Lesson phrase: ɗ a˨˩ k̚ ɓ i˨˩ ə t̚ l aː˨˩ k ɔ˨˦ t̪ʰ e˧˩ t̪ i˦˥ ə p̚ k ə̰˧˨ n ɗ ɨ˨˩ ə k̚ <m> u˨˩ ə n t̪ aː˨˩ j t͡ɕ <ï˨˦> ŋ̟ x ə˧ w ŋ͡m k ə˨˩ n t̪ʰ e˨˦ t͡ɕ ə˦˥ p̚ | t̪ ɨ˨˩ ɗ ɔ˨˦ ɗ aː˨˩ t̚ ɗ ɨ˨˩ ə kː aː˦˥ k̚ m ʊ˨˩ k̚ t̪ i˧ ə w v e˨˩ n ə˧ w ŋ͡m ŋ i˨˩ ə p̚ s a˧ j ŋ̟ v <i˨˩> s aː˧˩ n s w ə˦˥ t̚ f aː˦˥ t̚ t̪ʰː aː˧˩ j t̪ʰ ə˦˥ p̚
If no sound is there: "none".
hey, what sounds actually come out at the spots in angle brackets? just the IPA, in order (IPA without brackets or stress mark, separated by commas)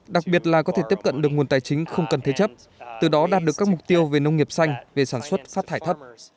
ŋ, ï˨˦, e˨˩